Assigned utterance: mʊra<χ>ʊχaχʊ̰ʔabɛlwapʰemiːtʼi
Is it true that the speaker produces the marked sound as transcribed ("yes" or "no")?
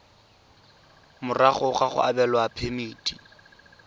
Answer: yes